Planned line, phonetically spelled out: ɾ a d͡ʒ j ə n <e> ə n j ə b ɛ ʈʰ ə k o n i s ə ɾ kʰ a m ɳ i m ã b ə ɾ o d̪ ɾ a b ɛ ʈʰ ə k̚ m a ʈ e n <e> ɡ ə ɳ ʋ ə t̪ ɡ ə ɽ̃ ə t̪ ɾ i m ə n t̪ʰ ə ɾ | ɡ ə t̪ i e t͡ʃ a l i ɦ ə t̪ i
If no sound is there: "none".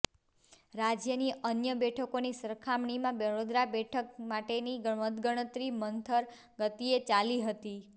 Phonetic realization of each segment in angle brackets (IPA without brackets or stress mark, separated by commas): i, i